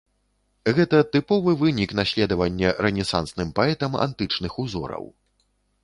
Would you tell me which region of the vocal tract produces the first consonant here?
velum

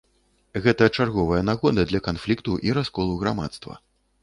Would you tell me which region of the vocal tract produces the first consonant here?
velum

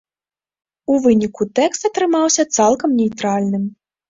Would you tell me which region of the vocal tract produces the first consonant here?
lips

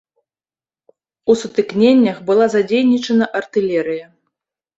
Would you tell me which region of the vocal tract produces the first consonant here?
tongue tip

